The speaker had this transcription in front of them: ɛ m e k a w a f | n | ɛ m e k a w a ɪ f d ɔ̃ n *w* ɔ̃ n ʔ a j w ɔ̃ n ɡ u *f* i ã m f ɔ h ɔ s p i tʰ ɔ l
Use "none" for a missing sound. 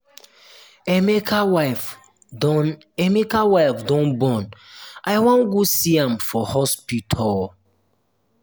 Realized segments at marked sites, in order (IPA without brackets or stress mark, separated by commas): b, s